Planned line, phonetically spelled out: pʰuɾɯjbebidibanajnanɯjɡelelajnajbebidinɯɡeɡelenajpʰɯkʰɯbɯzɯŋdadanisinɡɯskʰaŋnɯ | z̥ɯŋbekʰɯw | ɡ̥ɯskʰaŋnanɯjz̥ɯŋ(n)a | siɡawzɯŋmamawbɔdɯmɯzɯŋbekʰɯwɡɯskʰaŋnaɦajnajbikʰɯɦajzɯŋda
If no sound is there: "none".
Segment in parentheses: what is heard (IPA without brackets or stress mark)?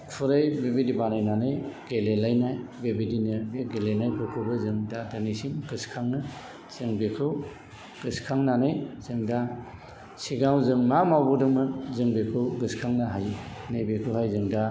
d